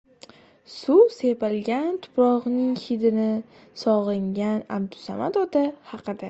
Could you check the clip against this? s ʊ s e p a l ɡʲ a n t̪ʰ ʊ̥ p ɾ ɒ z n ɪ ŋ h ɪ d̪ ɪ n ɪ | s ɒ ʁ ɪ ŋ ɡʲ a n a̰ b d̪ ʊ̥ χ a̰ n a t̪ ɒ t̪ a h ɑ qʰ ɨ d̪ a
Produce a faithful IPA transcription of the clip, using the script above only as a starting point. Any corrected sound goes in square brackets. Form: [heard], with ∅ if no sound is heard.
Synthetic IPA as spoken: s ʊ s e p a l ɡʲ a n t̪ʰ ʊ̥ p ɾ ɒ [ʁ] n ɪ ŋ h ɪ d̪ ɪ n ɪ | s ɒ ʁ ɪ ŋ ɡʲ a n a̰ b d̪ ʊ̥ [s] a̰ [m] a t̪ ɒ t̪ a h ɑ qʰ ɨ d̪ a